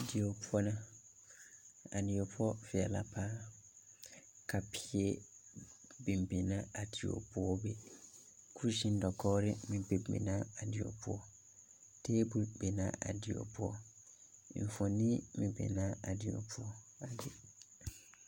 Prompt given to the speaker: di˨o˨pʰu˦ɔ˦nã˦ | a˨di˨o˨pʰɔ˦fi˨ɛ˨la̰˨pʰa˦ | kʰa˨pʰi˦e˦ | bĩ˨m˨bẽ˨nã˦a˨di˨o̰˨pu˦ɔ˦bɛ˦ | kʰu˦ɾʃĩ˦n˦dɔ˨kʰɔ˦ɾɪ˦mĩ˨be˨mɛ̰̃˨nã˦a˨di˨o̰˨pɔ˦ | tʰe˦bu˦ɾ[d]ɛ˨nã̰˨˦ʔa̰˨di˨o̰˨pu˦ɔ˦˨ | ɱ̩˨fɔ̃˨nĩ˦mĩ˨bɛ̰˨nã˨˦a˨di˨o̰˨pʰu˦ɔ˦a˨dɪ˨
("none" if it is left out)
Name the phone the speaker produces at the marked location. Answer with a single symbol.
b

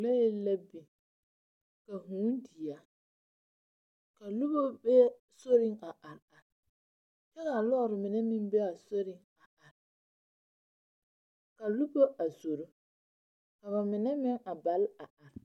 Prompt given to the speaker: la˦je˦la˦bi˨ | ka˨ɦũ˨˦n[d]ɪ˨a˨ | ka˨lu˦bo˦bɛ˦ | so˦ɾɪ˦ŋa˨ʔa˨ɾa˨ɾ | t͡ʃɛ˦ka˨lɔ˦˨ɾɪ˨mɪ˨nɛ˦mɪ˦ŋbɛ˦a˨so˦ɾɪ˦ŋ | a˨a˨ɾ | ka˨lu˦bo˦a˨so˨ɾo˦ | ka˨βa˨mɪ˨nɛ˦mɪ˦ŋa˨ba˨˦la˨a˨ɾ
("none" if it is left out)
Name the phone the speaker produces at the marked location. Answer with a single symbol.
d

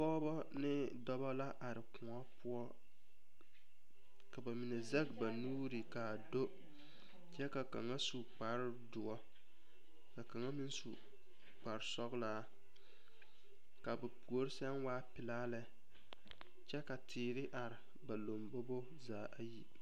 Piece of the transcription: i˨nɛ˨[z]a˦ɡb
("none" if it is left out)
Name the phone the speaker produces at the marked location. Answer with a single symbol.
z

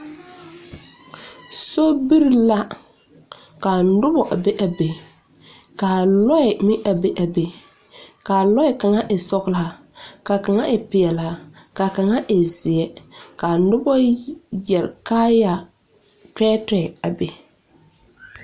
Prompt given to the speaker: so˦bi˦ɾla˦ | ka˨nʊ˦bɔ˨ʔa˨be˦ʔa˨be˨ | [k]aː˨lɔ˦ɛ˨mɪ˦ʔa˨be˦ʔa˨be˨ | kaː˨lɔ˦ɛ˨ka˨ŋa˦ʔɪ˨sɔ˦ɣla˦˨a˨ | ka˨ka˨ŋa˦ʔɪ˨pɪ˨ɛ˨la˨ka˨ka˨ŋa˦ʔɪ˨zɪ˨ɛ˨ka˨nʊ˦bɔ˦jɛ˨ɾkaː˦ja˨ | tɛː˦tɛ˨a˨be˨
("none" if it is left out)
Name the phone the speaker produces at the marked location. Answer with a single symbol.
k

